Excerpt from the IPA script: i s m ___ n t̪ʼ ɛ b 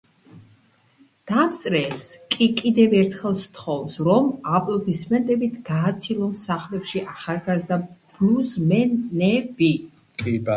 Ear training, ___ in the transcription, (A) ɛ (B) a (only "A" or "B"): A